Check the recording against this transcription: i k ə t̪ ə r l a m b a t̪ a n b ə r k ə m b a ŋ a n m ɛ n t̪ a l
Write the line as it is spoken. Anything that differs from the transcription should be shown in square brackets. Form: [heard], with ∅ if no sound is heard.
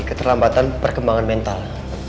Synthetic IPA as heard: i k ə t̪ ə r l a m b a t̪ a n [p] ə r k ə m b a ŋ a n m ɛ n t̪ a l